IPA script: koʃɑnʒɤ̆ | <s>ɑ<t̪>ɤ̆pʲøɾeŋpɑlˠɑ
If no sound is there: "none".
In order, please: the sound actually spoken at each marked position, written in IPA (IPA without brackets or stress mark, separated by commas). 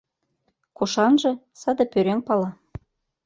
s, d̪